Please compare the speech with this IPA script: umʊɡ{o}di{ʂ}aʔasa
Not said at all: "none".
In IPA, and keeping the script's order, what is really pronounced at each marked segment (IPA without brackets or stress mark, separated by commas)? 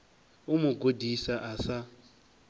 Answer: o, s